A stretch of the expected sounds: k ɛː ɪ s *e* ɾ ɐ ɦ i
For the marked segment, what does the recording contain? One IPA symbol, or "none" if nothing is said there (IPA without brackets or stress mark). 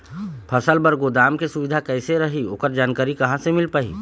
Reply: e